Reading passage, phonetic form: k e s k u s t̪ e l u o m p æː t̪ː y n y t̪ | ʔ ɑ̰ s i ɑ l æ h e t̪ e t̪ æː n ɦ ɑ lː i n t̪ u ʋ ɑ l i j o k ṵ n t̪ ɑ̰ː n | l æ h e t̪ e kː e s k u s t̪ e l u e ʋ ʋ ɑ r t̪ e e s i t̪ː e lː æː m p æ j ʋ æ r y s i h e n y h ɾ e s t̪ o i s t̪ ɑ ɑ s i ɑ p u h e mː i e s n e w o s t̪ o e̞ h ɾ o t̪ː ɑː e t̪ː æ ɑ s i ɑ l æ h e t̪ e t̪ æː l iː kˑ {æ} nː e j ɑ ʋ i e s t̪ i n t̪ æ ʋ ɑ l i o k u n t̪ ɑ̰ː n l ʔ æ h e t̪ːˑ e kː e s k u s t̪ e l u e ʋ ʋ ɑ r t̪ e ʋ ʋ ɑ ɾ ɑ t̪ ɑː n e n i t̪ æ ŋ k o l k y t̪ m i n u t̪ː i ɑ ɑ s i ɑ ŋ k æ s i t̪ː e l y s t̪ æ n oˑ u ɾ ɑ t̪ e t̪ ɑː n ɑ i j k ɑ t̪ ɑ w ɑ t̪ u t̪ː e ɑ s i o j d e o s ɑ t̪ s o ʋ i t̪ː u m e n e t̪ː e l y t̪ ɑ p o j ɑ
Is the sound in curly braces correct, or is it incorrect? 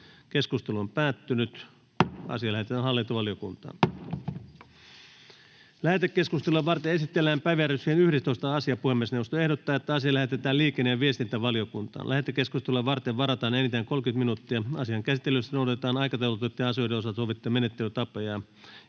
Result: incorrect